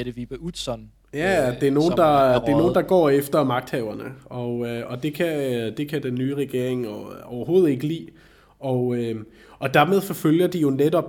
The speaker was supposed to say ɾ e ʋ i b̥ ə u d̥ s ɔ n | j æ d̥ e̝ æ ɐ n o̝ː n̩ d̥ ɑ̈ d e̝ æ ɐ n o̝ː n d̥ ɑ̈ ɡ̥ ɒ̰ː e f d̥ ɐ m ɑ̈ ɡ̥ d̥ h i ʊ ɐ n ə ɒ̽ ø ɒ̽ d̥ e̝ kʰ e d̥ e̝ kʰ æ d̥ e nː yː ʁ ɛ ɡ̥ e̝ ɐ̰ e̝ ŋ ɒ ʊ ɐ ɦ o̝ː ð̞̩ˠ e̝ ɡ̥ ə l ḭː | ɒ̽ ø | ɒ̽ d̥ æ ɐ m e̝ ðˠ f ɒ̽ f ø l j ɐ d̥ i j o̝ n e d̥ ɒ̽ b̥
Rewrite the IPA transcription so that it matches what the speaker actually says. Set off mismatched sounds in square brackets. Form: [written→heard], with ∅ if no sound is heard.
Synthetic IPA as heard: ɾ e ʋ i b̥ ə u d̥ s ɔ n | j æ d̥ e̝ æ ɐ n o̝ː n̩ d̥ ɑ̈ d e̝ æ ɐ n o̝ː n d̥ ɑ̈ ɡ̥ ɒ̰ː e f d̥ ɐ m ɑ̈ ɡ̥ d̥ h [i→ɛ] ʊ ɐ n ə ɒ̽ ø ɒ̽ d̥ e̝ kʰ [e→æ] d̥ e̝ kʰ æ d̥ e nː yː ʁ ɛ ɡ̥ e̝ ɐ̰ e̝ ŋ ɒ ʊ ɐ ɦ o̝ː ð̞̩ˠ e̝ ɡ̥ ə l ḭː | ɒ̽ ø | ɒ̽ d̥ æ ɐ m e̝ ðˠ f ɒ̽ f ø l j ɐ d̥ i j o̝ n e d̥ ɒ̽ b̥